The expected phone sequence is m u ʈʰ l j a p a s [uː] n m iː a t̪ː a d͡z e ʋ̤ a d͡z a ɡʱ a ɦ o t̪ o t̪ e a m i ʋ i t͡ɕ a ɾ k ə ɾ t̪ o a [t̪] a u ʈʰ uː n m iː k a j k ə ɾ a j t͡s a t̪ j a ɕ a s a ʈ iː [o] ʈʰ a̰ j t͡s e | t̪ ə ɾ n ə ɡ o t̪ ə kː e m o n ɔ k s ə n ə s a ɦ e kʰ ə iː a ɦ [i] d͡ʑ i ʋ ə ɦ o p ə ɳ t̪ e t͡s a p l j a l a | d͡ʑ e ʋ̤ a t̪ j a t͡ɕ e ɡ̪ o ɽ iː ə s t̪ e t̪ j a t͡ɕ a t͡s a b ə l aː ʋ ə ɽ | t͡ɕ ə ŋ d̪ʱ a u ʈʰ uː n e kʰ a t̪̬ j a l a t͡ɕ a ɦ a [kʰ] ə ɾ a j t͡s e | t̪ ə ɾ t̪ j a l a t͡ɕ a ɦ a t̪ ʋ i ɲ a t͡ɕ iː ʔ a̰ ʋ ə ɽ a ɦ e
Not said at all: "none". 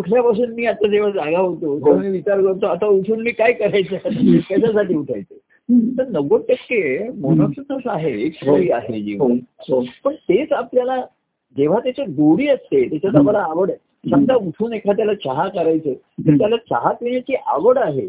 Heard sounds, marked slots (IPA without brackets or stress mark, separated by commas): uː, t̪, u, e, k